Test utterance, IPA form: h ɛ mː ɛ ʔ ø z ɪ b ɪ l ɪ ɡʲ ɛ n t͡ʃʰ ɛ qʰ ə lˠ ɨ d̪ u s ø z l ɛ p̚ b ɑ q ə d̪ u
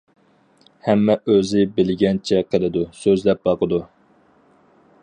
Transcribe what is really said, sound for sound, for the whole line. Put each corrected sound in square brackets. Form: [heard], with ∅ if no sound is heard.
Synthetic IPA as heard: h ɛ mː ɛ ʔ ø z ɪ b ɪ l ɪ ɡʲ ɛ n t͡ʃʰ ɛ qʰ ə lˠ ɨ d̪ u s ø z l ɛ p̚ b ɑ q ə d̪ u